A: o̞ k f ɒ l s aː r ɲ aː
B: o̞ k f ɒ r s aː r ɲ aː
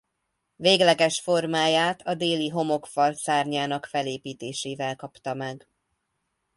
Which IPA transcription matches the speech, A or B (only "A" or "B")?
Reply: A